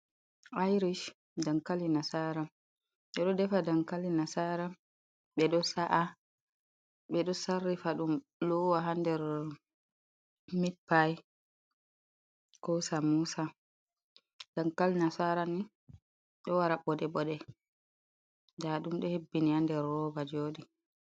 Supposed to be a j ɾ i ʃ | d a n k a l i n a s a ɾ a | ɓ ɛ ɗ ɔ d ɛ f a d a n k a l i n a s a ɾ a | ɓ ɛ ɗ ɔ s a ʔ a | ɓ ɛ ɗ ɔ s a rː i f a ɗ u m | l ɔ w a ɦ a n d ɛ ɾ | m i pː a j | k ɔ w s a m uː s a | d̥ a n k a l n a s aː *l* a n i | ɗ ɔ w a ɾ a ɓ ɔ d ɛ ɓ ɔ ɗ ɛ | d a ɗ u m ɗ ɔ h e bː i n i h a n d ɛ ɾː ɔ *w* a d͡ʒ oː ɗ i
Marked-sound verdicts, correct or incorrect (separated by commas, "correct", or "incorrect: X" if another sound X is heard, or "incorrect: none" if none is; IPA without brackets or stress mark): incorrect: ɾ, incorrect: b